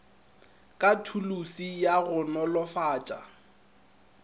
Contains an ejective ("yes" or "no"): yes